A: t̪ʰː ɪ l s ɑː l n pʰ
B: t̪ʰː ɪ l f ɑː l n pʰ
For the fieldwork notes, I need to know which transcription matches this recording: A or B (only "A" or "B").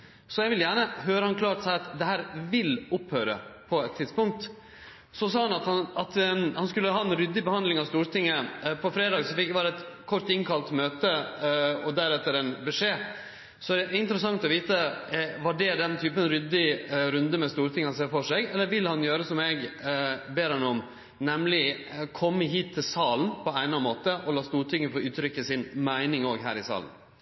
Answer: A